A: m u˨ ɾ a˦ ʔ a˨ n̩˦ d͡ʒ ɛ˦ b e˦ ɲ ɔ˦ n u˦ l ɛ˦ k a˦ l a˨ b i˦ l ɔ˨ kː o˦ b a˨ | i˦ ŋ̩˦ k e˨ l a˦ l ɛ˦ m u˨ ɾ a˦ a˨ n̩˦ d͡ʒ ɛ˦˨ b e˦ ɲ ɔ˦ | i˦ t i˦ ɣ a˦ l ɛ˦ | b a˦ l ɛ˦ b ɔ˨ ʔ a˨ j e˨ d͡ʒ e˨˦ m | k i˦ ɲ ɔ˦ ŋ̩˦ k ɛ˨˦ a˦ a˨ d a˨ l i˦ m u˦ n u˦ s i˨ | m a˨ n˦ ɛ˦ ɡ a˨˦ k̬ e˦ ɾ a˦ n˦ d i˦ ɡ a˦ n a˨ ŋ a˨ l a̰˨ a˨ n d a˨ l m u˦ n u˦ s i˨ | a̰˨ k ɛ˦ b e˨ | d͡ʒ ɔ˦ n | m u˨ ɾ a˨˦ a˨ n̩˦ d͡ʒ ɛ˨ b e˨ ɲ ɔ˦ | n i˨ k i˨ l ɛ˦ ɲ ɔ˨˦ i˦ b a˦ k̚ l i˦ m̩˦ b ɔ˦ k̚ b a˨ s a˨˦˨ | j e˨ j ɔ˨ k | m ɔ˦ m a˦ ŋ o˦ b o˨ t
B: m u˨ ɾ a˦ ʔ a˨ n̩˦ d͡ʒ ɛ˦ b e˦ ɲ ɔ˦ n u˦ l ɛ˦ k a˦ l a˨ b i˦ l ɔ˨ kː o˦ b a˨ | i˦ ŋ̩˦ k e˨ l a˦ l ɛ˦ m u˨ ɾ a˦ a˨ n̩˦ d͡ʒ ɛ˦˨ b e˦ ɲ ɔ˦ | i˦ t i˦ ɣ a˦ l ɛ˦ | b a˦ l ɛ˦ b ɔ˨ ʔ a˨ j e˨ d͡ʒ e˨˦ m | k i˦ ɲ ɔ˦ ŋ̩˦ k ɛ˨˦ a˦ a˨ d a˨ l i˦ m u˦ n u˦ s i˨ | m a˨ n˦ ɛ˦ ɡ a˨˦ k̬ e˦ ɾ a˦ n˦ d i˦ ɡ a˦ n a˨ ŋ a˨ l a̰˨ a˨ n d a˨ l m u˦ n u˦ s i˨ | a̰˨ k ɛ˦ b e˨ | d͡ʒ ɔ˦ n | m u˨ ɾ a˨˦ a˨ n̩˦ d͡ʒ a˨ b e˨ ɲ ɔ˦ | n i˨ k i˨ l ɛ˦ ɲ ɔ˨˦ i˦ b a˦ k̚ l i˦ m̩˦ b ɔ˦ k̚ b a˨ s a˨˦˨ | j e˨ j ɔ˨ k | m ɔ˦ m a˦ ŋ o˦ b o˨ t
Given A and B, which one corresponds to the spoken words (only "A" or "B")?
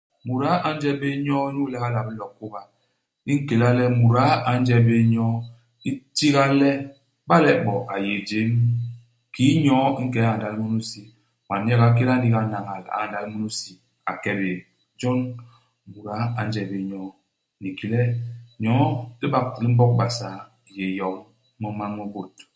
A